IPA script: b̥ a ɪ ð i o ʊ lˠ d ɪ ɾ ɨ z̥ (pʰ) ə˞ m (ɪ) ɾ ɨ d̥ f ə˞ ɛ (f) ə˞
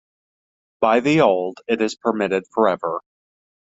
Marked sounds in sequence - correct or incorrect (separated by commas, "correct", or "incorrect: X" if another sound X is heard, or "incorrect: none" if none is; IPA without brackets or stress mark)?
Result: correct, correct, incorrect: v